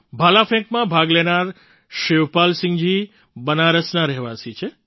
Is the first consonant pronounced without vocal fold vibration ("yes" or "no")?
no